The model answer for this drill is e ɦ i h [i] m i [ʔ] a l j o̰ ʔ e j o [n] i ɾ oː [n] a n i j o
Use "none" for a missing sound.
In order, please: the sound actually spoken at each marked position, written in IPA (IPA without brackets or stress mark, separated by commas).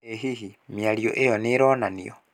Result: i, none, n, n